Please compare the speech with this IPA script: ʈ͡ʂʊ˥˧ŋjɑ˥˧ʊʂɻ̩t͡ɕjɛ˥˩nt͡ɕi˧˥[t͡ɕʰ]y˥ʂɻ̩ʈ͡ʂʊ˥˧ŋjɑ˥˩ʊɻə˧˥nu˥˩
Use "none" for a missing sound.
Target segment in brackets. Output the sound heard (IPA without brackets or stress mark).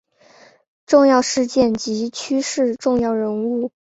t͡ɕʰ